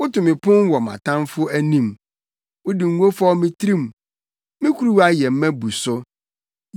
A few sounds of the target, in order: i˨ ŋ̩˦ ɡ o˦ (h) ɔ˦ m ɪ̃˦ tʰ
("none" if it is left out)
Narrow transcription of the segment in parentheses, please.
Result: f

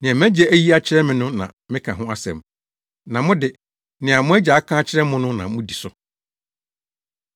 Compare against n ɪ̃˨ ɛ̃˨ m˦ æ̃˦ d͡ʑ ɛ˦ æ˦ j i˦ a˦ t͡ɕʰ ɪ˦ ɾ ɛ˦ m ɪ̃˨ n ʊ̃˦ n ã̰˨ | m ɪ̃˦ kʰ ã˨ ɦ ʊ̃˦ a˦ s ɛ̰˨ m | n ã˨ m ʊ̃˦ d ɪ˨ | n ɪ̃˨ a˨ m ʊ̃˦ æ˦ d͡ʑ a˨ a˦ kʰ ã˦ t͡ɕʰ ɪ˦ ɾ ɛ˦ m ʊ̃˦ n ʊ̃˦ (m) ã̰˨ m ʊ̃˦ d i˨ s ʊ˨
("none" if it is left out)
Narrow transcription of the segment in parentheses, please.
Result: n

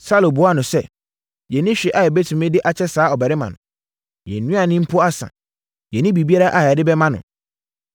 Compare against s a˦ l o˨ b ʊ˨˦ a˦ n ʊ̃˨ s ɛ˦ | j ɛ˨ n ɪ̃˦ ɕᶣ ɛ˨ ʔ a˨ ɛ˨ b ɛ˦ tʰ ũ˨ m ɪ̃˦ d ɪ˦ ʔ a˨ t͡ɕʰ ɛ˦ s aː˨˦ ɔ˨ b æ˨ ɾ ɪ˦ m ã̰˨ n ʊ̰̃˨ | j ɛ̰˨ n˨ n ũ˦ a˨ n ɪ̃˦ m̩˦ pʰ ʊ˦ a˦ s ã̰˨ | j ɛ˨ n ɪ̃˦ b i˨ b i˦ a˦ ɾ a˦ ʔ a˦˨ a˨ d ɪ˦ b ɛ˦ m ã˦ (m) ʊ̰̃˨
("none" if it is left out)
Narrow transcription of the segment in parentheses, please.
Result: n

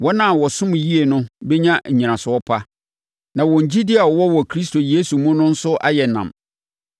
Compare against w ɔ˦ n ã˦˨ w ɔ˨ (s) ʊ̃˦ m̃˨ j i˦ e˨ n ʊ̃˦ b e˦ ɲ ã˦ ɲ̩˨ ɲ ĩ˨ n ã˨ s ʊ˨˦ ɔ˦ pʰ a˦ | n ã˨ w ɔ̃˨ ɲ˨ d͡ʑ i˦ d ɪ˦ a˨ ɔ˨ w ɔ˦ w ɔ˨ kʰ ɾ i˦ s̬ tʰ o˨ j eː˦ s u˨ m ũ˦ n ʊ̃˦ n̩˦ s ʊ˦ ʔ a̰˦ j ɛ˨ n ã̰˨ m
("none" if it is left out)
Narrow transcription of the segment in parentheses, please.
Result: s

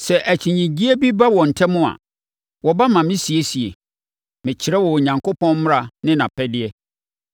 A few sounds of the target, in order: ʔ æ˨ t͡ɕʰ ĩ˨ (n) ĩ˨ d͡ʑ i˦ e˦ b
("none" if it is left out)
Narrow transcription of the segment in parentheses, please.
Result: ɲ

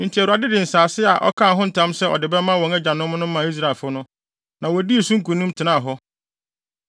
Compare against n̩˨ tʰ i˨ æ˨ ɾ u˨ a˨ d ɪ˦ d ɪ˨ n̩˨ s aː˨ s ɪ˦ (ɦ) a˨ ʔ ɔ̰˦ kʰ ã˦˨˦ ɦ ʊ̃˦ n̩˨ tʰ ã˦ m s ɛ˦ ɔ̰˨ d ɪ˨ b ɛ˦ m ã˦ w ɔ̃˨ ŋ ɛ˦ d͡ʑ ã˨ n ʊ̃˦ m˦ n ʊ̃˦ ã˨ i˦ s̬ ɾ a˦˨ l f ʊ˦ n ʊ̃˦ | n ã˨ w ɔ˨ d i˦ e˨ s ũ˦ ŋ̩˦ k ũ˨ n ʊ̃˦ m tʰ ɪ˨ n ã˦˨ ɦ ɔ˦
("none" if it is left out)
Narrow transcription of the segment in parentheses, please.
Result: none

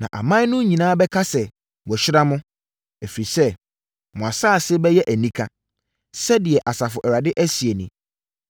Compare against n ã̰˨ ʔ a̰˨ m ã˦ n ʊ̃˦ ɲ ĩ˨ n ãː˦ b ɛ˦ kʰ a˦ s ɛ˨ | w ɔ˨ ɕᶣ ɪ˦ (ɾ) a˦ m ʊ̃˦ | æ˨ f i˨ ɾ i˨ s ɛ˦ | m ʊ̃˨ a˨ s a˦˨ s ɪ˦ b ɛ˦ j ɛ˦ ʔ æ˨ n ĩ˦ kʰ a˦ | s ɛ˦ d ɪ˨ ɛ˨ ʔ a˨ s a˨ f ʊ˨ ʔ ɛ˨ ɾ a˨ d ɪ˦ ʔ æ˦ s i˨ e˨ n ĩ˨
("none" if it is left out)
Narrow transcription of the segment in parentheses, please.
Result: ɾ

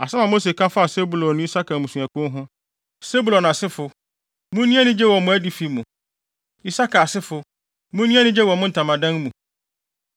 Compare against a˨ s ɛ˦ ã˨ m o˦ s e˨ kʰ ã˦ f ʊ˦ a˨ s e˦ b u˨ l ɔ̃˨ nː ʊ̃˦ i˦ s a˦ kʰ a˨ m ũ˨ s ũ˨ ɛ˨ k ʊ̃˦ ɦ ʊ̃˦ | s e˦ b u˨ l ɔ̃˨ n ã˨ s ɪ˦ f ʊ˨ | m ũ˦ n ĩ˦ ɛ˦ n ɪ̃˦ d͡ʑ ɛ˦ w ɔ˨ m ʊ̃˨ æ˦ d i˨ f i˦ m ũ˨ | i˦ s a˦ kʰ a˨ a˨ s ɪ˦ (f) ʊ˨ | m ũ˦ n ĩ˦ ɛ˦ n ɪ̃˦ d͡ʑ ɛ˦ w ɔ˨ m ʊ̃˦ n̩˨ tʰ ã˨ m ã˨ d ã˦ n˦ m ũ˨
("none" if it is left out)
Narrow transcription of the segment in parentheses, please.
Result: f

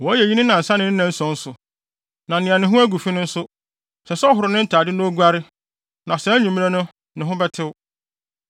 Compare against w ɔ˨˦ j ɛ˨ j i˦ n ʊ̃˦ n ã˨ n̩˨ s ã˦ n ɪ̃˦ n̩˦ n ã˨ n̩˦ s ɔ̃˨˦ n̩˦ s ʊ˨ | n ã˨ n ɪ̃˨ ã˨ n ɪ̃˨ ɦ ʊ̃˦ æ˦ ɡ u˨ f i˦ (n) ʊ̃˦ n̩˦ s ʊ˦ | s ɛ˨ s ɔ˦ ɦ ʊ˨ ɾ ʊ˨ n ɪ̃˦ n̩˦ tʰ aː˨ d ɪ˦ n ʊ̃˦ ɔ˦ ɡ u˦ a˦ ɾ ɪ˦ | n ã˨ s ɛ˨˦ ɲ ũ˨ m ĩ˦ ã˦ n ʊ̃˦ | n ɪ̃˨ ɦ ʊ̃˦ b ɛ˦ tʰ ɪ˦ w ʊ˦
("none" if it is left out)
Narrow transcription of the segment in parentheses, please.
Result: n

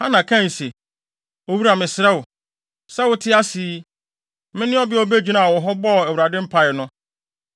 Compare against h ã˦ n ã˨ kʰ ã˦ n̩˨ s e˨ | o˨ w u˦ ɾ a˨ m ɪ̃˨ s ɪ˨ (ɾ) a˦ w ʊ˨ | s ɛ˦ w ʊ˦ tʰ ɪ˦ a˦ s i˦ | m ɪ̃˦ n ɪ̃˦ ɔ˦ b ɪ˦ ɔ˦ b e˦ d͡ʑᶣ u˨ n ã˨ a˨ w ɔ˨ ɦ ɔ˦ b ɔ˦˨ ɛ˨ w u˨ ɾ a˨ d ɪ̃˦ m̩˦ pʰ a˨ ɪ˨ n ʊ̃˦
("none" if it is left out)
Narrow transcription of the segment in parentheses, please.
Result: ɾ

